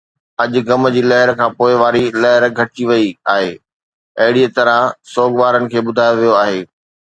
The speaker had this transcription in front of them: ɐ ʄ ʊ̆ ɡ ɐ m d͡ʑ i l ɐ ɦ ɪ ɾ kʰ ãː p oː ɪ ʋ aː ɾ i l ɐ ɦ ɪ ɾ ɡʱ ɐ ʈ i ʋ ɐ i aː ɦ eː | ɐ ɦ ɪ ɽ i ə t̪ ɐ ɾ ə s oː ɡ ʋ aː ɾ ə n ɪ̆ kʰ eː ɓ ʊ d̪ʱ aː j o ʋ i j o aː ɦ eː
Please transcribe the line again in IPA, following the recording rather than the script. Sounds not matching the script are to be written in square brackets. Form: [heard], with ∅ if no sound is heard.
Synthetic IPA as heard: ɐ ʄ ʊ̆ ɡ ɐ m d͡ʑ [iː] l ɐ ɦ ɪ ɾ kʰ ãː p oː ɪ ʋ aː ɾ i l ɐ ɦ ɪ ɾ ɡʱ ɐ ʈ i ʋ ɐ i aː ɦ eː | ɐ ɦ ɪ ɽ i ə t̪ ɐ ɾ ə s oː ɡ ʋ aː ɾ ə n ɪ̆ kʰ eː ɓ ʊ d̪ʱ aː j o ʋ i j o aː ɦ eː

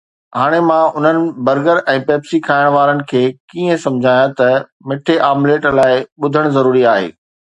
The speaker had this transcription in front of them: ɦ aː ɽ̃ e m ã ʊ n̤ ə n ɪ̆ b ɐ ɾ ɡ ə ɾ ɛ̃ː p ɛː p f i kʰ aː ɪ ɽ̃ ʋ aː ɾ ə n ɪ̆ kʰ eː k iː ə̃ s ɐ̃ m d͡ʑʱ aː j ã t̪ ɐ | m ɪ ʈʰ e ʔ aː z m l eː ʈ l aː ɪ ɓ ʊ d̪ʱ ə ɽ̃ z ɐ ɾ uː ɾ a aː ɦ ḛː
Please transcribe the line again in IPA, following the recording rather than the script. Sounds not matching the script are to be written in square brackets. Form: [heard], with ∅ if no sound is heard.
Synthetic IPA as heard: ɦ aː ɽ̃ e m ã ʊ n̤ ə n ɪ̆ b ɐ ɾ ɡ ə ɾ ɛ̃ː p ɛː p [s] i kʰ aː ɪ ɽ̃ ʋ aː ɾ ə n ɪ̆ kʰ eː k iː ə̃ s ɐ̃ m d͡ʑʱ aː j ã t̪ ɐ | m ɪ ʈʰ e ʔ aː [∅] m l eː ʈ l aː ɪ ɓ ʊ d̪ʱ ə ɽ̃ z ɐ ɾ uː ɾ [i] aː ɦ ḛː

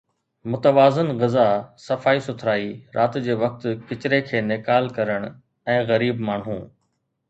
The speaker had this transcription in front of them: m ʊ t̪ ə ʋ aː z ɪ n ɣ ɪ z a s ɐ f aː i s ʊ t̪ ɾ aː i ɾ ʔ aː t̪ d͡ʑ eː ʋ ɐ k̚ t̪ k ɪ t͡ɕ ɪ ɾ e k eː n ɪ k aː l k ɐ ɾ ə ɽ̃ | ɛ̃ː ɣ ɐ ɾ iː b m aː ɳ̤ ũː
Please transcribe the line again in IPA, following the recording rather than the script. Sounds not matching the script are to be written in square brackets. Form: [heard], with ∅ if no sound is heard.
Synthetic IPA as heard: m ʊ t̪ ə ʋ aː z ɪ n ɣ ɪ z a s ɐ f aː i s ʊ [t̪ʰ] ɾ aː i ɾ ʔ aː t̪ d͡ʑ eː ʋ ɐ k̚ t̪ k ɪ t͡ɕ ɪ ɾ e [kʰ] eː n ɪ k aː l k ɐ ɾ ə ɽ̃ | ɛ̃ː ɣ ɐ ɾ iː b m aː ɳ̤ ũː

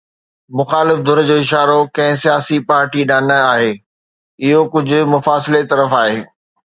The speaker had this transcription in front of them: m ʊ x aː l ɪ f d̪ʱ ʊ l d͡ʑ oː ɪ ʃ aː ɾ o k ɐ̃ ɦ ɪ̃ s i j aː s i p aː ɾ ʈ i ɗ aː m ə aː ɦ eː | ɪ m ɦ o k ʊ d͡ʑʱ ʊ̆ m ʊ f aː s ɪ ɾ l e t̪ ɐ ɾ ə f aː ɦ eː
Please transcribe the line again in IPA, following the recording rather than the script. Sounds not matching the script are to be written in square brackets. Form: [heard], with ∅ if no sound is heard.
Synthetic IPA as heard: m ʊ x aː l ɪ f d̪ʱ ʊ [ɾ] d͡ʑ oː ɪ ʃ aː ɾ o k ɐ̃ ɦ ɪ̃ s i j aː s i p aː ɾ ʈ i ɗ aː [n] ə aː ɦ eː | ɪ [∅] ɦ o k ʊ d͡ʑʱ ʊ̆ m ʊ f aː s ɪ [∅] l e t̪ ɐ ɾ ə f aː ɦ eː

